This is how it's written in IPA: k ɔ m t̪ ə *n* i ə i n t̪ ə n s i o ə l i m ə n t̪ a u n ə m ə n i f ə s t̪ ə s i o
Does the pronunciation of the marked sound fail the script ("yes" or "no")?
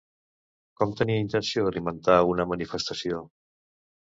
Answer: no